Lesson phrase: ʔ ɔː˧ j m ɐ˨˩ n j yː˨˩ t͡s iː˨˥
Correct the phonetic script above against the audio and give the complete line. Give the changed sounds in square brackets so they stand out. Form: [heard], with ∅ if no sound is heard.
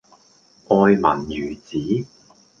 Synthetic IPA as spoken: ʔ ɔː˧ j m ɐ˨˩ n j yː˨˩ t͡s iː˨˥

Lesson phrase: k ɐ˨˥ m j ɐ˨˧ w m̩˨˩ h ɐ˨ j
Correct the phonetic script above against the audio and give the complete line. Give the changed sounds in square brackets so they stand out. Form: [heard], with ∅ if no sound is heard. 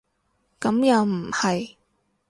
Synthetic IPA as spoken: k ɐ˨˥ m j ɐ˨˧ w m̩˨˩ h ɐ˨ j

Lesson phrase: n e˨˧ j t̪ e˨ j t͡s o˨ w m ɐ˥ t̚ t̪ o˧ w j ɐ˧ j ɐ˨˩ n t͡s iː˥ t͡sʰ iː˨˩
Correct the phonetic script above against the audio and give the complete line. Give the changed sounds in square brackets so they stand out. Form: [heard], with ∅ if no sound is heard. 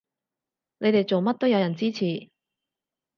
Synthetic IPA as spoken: n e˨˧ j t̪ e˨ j t͡s o˨ w m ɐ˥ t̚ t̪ [o˥] w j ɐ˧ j ɐ˨˩ n t͡s iː˥ t͡sʰ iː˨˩

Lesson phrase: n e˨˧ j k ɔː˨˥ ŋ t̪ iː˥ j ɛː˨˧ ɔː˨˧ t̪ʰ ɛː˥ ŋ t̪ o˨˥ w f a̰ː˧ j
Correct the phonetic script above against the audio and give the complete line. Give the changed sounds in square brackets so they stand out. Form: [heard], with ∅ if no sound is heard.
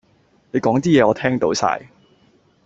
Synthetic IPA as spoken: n e˨˧ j k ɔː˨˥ ŋ t̪ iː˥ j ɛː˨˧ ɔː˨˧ t̪ʰ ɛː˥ ŋ t̪ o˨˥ w [s] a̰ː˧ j

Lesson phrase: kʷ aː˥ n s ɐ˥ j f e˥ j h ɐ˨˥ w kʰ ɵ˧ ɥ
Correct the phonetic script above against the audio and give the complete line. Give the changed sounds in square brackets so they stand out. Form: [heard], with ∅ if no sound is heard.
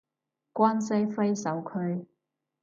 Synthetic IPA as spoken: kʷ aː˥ n s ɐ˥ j f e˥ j [s] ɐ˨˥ w kʰ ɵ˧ ɥ

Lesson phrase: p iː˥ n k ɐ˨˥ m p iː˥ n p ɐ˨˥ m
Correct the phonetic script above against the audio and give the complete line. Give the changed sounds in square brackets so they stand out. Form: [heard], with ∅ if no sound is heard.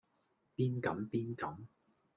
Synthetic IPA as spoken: p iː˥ n k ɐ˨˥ m p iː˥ n [k] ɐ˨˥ m

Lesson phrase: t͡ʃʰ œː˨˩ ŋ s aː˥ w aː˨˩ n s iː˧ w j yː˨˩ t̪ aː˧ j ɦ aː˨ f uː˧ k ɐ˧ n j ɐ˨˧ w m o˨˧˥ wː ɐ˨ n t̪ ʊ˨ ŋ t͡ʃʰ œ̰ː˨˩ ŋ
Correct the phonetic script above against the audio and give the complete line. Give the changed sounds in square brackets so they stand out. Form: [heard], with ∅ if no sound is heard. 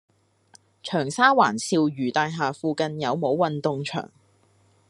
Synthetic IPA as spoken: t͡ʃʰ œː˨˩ ŋ s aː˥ w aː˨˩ n s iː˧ w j yː˨˩ t̪ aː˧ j ɦ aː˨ f uː˧ k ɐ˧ n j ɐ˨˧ w m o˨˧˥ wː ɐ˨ n t̪ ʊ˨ ŋ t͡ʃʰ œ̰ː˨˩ ŋ

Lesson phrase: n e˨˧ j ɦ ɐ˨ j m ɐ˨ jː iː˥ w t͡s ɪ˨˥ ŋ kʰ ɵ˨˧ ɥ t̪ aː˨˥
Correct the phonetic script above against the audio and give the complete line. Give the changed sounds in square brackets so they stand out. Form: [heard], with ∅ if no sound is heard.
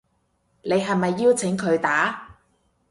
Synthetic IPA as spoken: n e˨˧ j ɦ ɐ˨ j m ɐ˨ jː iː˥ w [t͡sʰ] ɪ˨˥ ŋ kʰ ɵ˨˧ ɥ t̪ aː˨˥

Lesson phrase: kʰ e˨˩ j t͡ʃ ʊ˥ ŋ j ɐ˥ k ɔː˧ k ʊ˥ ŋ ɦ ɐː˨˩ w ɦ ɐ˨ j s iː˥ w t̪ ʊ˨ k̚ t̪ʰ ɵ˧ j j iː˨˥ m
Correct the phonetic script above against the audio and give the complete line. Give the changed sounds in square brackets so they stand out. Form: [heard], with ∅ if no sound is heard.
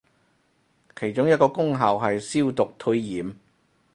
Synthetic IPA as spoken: kʰ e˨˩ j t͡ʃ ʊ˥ ŋ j ɐ˥ k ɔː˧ k ʊ˥ ŋ ɦ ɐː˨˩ w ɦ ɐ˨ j s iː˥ w t̪ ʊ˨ k̚ t̪ʰ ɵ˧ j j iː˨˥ m

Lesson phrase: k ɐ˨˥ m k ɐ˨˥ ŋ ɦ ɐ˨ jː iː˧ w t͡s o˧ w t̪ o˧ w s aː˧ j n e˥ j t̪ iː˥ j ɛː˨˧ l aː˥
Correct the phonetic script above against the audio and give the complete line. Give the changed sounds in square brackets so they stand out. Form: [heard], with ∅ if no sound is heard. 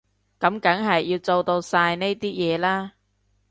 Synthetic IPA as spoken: k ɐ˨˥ m k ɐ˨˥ ŋ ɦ ɐ˨ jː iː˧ w t͡s o˧ w t̪ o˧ w s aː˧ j n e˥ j t̪ iː˥ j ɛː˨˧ l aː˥

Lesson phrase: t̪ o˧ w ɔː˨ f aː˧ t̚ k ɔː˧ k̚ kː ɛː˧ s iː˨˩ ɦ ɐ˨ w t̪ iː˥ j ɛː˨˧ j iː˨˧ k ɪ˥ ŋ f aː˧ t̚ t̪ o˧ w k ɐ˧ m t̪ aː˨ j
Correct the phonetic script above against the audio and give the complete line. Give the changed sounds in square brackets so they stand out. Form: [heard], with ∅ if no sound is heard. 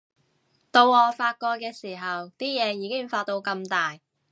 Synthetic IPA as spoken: t̪ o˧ w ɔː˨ f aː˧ t̚ k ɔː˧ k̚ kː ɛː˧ s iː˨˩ ɦ ɐ˨ w t̪ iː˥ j ɛː˨˧ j iː˨˧ k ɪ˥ ŋ f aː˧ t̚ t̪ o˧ w k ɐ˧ m t̪ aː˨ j

